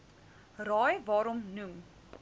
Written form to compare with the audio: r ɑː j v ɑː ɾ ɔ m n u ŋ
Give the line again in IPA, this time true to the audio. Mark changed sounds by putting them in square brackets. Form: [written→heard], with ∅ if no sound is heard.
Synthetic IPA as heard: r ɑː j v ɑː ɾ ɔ m n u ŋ